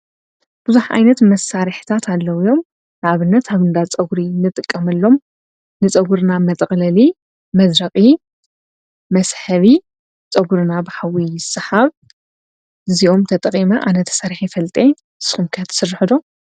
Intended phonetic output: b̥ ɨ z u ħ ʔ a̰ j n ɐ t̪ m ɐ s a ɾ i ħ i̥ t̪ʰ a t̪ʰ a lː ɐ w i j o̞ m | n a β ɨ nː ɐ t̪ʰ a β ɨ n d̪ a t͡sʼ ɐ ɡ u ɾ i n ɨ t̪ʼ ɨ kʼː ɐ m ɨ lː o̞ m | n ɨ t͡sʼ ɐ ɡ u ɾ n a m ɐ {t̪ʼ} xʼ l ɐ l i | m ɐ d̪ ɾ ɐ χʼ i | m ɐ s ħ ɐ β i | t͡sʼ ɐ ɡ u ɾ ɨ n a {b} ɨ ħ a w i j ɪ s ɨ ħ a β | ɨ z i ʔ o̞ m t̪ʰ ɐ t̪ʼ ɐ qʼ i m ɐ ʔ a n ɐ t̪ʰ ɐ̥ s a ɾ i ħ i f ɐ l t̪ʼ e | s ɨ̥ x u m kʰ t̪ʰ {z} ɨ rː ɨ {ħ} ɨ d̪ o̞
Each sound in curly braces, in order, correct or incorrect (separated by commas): correct, correct, incorrect, correct